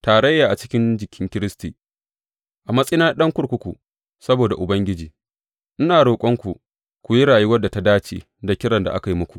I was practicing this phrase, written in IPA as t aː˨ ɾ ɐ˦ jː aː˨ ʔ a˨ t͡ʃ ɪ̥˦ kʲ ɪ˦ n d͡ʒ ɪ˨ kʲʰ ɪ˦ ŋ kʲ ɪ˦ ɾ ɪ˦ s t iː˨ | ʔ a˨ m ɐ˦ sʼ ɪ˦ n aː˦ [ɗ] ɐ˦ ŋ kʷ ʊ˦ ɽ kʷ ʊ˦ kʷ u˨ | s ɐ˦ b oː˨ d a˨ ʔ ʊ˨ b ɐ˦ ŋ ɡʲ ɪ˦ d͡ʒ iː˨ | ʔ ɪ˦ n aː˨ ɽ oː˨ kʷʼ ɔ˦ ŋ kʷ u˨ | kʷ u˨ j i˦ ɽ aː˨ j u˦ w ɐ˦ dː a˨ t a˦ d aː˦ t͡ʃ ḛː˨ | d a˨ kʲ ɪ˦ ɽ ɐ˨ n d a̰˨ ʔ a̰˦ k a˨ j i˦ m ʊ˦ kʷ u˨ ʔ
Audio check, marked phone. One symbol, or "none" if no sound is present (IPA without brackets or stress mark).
ɗ